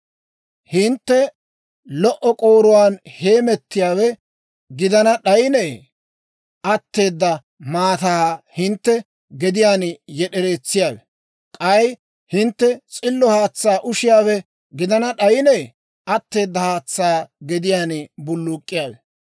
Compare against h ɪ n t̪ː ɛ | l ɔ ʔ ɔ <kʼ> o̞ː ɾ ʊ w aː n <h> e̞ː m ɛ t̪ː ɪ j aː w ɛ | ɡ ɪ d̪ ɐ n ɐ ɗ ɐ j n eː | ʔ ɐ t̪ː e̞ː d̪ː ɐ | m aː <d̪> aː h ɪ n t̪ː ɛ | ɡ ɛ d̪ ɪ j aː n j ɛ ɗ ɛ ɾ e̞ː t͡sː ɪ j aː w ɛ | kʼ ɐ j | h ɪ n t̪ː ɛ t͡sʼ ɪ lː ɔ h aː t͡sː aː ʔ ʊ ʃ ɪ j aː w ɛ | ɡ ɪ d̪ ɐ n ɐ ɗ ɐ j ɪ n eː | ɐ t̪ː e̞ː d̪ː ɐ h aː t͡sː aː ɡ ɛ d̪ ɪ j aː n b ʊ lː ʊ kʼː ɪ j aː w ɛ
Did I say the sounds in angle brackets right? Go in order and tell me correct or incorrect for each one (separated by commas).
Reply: correct, correct, incorrect